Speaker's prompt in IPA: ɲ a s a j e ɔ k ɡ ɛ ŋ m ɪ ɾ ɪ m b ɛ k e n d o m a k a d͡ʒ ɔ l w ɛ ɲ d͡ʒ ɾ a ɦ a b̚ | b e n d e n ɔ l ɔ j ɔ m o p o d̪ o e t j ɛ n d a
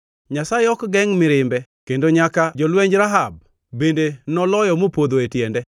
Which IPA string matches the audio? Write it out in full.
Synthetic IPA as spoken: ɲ a s a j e ɔ k ɡ ɛ ŋ m ɪ ɾ ɪ m b ɛ k e n d o ɲ a k a d͡ʒ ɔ l w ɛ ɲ d͡ʒ ɾ a ɦ a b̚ | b e n d e n ɔ l ɔ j ɔ m o p o d̪ o e t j ɛ n d ɛ